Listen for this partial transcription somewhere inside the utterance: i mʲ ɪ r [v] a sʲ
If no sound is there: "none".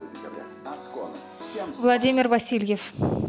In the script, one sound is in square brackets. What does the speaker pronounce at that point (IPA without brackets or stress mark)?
v